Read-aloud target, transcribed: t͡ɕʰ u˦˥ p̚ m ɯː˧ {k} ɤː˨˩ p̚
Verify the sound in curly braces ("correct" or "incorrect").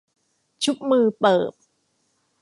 incorrect